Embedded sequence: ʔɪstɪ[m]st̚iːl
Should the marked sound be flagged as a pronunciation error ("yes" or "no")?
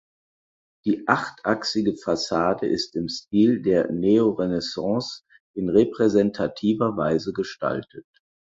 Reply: no